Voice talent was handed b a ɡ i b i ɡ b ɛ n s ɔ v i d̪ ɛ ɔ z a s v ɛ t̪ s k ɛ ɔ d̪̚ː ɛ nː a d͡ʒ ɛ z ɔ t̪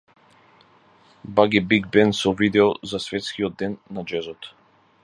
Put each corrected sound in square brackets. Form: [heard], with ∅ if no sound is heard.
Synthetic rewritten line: b a ɡ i b i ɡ b ɛ n s ɔ v i d̪ ɛ ɔ z a s v ɛ t̪ s k [i] ɔ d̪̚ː ɛ nː a d͡ʒ ɛ z ɔ t̪